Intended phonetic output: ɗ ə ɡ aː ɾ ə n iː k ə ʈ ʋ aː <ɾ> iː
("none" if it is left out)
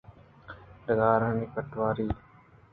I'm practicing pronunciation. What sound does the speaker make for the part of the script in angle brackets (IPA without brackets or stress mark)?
ɾ